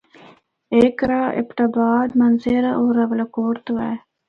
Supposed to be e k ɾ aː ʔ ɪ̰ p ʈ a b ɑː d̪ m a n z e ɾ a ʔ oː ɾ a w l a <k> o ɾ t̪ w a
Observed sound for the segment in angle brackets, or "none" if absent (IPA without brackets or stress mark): k